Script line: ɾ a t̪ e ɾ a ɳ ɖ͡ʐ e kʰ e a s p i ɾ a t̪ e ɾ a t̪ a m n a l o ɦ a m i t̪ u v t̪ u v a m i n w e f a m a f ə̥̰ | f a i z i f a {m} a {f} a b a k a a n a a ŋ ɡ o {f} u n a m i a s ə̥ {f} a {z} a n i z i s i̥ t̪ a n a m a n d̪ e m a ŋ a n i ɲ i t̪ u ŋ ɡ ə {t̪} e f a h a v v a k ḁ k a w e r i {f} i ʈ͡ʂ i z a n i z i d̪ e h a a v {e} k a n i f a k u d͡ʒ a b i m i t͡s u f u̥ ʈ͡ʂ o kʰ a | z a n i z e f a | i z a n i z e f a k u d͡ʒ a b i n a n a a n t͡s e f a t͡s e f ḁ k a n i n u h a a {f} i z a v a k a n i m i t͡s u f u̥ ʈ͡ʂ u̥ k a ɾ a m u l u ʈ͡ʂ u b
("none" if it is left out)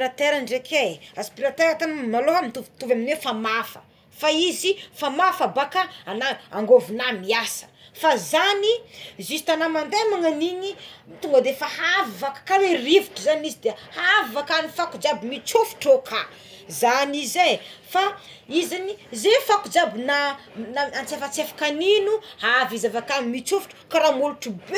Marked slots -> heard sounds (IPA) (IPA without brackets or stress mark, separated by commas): m, f, v, f, z, d̪, v, a, v